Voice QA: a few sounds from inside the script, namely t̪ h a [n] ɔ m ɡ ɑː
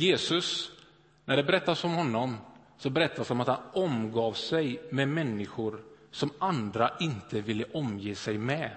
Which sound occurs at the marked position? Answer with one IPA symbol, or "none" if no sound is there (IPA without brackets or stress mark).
n